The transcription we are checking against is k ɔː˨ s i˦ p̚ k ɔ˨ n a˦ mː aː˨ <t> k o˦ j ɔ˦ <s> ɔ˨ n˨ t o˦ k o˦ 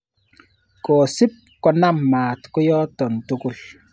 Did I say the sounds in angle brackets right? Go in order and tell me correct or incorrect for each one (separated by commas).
correct, incorrect